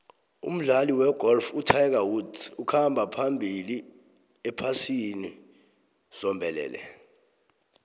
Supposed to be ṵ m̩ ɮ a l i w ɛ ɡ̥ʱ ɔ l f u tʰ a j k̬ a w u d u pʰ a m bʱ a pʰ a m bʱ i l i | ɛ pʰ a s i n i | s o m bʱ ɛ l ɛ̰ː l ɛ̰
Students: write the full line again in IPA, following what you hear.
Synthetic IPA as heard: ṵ m̩ ɮ a l i w ɛ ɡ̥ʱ ɔ l f u tʰ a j k̬ a w u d u kʰ a m bʱ a pʰ a m bʱ i l i | ɛ pʰ a s i n i | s ɔ m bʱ ɛ l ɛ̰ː l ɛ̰

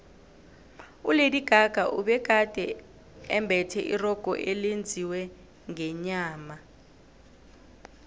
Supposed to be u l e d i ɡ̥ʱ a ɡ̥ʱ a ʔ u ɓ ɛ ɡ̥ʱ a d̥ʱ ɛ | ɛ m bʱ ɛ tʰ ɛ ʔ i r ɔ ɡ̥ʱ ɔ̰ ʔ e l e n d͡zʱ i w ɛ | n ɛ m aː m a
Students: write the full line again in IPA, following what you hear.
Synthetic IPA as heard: u l e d i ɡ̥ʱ a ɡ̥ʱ a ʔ u ɓ ɛ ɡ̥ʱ a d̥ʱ ɛ | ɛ m bʱ ɛ tʰ ɛ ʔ i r ɔ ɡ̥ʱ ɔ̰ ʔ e l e n d͡zʱ i w ɛ | ŋ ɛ ɲ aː m a

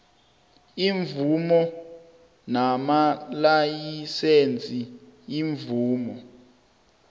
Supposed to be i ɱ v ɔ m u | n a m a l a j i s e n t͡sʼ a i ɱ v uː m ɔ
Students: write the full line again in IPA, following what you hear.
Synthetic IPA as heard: i ɱ v u m ɔ | n a m a l a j i s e n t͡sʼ i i ɱ v uː m ɔ

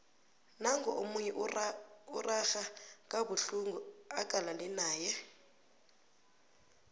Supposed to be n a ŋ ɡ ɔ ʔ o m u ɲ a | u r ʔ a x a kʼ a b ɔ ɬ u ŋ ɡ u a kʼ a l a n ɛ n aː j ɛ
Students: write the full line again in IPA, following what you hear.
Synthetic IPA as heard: n a ŋ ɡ ɔ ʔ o m u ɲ ɛ | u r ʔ a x a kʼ a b u ɬ u ŋ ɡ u a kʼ a l a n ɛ n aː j ɛ

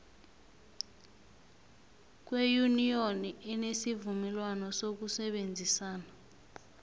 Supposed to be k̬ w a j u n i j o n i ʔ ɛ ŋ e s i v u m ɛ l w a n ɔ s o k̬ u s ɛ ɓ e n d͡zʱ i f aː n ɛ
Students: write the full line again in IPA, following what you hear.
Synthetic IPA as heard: k̬ w e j u n i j o n i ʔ ɛ n e s i v u m ɛ l w a n ɔ s o k̬ u s ɛ ɓ e n d͡zʱ i s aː n a

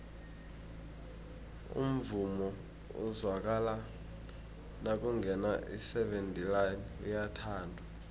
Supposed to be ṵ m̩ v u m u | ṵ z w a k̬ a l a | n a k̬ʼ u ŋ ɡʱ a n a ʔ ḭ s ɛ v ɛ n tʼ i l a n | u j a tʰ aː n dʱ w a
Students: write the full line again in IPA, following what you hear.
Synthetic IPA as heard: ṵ m̩ v u m ɔ | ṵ z w a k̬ a l a | n a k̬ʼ u ŋ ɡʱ ɛ n a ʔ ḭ s ɛ v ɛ n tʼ i l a n | u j a tʰ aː n dʱ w a

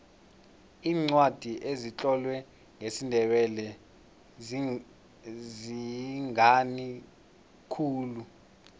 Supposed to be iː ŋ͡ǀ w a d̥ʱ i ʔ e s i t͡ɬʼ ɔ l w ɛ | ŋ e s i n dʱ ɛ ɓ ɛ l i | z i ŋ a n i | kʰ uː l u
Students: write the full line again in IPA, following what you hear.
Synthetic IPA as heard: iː ŋ͡ǀ w a d̥ʱ i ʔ e z i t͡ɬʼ ɔ l w ɛ | ŋ e s i n dʱ ɛ ɓ ɛ l ɛ | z i ŋ a n i | kʰ uː l u

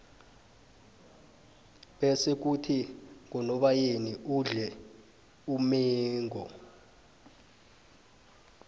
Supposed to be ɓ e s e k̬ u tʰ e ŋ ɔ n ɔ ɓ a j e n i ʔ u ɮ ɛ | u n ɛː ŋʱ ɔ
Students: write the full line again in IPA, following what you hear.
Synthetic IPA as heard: ɓ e s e k̬ u tʰ i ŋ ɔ n ɔ ɓ a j e n i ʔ u ɮ ɛ | u m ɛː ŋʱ ɔ

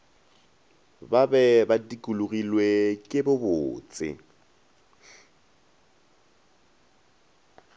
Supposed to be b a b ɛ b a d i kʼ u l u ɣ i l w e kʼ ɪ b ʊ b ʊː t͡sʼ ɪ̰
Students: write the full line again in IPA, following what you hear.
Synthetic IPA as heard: b a b ɛ b a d i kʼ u l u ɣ i l w e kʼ ɪ b ʊ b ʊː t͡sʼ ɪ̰

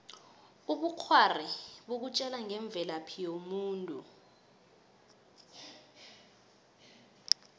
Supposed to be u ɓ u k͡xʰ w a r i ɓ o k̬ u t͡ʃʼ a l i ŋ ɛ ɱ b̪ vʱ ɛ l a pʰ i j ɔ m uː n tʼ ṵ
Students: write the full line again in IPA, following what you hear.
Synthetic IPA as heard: u ɓ u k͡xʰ w a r i ɓ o k̬ u t͡ʃʼ ɛ l a ŋ ɛ ɱ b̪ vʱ ɛ l a pʰ i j o m uː n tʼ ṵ

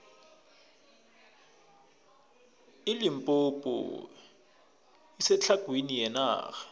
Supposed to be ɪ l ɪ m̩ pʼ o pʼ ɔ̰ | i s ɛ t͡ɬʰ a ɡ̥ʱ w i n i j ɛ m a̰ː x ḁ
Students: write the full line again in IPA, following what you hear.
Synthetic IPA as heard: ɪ l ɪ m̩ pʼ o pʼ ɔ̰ | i s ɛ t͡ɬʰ a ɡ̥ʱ w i n i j ɛ n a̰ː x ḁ

